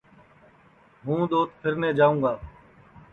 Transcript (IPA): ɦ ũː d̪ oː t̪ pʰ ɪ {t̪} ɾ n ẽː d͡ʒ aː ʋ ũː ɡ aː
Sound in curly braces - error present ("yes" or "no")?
yes